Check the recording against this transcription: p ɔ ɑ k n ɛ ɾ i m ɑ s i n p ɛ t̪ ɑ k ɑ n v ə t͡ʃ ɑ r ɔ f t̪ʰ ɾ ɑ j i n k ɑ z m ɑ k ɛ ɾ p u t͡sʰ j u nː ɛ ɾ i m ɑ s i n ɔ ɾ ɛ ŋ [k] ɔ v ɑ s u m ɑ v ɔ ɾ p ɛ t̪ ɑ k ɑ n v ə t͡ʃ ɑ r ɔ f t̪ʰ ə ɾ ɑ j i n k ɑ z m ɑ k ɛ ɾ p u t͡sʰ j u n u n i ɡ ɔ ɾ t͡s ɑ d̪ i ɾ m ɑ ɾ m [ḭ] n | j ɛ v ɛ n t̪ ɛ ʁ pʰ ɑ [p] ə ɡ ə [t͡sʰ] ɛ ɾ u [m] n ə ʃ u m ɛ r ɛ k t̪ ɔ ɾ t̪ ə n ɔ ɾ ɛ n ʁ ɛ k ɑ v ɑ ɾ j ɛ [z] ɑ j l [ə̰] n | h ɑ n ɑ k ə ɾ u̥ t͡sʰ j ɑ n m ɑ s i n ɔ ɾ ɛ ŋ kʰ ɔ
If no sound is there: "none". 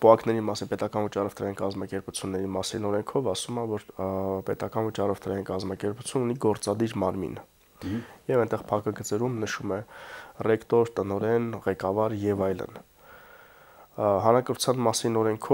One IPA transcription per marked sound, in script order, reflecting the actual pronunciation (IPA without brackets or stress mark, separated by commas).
kʰ, ḭ, k, t͡s, m, v, ə̰